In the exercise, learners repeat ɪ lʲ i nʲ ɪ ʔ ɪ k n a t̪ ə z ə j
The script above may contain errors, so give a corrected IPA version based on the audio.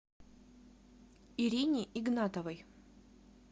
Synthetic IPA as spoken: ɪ ɾʲ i nʲ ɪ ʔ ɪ ɡ n a t̪ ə v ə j